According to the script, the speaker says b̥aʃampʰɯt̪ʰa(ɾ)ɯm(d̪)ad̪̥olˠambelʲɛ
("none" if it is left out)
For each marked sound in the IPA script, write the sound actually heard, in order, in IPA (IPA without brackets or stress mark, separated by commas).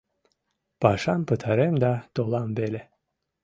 ɾ, d̪